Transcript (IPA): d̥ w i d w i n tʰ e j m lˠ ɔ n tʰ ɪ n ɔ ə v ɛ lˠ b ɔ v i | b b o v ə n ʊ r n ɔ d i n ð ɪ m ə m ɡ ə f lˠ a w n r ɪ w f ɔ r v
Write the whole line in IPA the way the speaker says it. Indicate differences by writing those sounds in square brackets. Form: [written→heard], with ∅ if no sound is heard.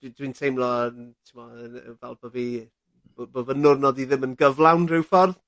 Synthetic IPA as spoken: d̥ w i d w i n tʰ e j m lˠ ɔ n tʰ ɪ [n→m] ɔ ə v ɛ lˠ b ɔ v i | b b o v ə n ʊ r n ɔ d i [n→∅] ð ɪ m ə [m→n] ɡ ə [f→v] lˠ a w n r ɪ w f ɔ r [v→ð]